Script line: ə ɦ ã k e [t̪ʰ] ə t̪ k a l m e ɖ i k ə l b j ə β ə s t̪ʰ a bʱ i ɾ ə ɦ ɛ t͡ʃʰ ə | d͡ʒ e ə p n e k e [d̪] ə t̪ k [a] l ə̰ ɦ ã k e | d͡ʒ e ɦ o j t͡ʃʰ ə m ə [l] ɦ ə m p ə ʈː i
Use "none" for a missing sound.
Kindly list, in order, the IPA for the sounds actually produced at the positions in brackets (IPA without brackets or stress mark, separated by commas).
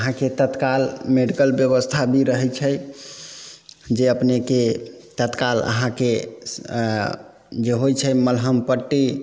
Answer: t̪, t̪, a, l